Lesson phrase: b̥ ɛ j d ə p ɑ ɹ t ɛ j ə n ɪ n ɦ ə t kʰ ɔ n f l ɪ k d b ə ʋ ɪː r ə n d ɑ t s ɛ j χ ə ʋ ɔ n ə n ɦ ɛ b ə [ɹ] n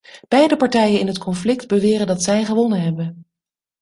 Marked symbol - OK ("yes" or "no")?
no